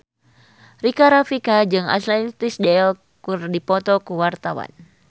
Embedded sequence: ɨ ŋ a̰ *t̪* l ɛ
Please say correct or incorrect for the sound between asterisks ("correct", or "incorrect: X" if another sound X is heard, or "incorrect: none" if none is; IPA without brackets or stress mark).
correct